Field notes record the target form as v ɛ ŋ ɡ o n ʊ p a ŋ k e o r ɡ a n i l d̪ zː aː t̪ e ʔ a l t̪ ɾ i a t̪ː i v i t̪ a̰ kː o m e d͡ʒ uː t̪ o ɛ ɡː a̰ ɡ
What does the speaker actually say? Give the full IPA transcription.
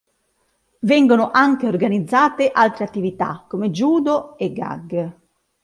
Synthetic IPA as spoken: v ɛ ŋ ɡ o n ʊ ʔ a ŋ k e o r ɡ a n i d̪ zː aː t̪ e ʔ a l t̪ ɾ e a t̪ː i v i t̪ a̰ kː o m e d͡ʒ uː d̪ o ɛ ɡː a̰ ɡ